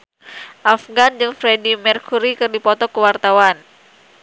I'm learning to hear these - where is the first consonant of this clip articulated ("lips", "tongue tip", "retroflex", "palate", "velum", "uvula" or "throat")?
throat